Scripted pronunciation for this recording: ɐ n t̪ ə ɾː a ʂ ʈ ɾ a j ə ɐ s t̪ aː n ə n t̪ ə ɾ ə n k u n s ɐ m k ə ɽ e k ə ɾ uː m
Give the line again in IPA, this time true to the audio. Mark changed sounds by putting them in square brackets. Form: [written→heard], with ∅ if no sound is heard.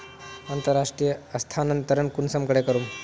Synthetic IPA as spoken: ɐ n t̪ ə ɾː a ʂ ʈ ɾ [a→i] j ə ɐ s [t̪→t̪ʰ] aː n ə n t̪ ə ɾ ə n k u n s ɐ m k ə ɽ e k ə ɾ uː m